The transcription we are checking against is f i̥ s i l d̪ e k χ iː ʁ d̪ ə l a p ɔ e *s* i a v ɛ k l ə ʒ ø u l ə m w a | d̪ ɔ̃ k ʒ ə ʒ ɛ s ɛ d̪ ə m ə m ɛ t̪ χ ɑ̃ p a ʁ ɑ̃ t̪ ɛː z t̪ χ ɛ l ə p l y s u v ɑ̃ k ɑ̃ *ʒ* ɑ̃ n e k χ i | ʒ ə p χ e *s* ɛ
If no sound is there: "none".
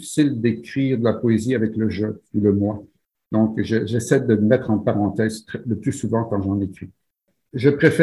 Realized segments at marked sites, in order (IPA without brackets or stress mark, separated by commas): z, ʒ, f